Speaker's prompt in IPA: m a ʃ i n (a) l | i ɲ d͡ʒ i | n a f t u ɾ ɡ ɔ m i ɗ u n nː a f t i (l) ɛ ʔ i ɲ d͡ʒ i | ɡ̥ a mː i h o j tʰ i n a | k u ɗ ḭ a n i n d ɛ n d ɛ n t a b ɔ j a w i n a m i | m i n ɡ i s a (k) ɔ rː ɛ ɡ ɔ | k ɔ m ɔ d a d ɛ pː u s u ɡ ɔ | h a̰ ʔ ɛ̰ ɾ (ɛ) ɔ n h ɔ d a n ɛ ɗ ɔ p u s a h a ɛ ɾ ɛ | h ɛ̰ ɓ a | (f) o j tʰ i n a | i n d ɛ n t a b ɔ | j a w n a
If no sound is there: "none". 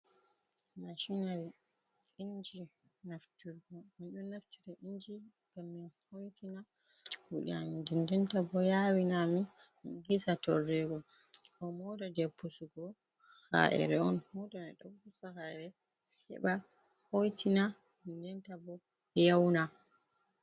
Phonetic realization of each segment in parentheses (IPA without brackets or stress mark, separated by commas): a, ɾ, t, ɛ, h